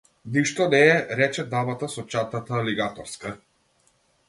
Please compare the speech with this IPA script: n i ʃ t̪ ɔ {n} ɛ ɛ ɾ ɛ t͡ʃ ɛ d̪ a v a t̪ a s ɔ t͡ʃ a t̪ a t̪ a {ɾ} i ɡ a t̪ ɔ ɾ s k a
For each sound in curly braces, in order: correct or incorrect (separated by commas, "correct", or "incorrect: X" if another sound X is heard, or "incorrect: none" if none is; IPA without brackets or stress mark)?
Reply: correct, incorrect: l